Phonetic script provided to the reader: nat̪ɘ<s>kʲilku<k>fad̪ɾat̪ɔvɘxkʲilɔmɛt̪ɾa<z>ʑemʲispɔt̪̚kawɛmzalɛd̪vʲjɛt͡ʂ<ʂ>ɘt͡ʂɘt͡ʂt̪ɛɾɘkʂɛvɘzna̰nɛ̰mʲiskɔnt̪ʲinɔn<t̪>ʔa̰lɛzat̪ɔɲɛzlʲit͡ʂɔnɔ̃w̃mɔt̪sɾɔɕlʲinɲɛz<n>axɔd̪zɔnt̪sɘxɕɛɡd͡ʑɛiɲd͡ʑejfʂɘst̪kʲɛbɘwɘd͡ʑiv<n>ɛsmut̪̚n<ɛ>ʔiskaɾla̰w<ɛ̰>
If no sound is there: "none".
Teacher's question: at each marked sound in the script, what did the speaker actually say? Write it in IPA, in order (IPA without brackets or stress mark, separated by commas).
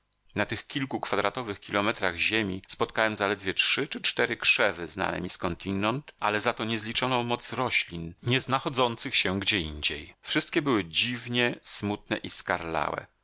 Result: x, k, ɣ, ʂ, t̪, n, ɲ, ɛ, ɛ̰